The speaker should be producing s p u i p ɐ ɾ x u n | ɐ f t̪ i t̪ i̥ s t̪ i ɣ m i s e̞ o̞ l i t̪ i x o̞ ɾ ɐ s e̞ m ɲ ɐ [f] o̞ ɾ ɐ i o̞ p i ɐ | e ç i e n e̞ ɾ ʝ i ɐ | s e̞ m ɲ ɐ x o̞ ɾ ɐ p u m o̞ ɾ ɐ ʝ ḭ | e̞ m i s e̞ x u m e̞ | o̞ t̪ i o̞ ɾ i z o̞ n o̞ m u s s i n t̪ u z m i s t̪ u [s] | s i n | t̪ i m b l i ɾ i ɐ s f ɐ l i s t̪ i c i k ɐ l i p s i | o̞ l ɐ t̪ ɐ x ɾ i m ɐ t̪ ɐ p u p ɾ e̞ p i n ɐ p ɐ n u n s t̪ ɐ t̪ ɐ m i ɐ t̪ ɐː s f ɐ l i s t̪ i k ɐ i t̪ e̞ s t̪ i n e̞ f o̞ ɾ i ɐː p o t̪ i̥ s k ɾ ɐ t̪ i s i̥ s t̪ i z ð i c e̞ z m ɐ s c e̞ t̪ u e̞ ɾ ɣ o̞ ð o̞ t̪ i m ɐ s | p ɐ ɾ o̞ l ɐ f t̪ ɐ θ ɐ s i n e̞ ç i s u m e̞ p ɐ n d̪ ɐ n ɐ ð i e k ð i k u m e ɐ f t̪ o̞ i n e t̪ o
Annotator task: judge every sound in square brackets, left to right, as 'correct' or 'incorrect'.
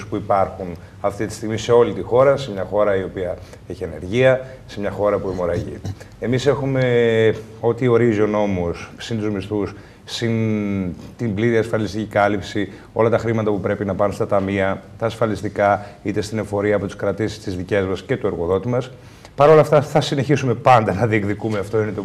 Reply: incorrect: x, correct

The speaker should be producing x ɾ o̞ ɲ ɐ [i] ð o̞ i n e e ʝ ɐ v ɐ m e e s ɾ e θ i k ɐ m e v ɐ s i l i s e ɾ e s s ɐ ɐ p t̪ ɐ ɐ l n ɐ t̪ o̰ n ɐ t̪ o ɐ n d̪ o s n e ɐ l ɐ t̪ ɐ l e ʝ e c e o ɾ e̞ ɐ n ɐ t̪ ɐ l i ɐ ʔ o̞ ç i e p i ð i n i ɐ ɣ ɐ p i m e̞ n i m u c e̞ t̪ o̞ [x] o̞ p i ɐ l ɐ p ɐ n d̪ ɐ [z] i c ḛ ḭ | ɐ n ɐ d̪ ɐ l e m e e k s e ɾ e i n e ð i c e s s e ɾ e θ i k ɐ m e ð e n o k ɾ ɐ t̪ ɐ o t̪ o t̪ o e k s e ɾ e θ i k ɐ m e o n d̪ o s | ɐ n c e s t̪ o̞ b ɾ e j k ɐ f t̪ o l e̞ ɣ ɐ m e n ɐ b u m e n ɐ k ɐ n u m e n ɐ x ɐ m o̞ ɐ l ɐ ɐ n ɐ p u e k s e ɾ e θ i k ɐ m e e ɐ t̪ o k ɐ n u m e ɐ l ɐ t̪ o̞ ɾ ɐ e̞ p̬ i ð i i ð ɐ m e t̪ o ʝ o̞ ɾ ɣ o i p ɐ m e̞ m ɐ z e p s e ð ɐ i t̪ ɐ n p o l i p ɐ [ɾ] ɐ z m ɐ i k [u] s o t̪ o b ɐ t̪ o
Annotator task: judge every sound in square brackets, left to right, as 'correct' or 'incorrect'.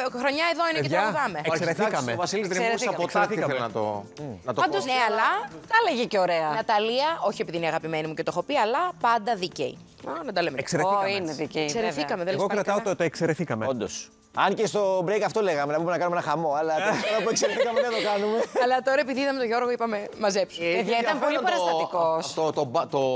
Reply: incorrect: e, correct, incorrect: ð, correct, incorrect: o

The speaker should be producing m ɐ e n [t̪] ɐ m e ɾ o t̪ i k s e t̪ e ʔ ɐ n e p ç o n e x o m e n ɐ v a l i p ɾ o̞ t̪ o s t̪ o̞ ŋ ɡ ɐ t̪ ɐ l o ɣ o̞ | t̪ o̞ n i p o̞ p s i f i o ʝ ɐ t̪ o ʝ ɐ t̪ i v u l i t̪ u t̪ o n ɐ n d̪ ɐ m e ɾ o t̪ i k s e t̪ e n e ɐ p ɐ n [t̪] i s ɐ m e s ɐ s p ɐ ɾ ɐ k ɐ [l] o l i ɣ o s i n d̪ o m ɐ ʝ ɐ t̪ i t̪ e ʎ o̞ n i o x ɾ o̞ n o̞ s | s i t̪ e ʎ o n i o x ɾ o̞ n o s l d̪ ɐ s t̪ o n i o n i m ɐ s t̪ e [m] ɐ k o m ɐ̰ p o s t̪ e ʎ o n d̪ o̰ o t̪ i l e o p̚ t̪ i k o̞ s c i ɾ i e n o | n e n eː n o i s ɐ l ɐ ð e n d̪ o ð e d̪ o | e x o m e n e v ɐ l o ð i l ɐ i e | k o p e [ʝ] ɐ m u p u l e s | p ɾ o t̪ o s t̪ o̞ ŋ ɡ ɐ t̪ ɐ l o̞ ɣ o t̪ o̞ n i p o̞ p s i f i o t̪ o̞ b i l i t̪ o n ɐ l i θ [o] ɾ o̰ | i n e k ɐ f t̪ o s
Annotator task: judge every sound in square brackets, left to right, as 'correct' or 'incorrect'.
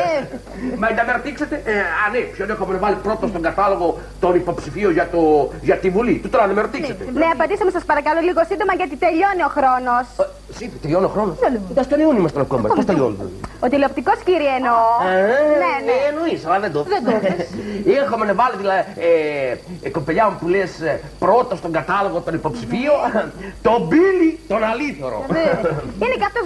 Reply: incorrect: d̪, incorrect: d̪, correct, incorrect: n, incorrect: ʎ, correct

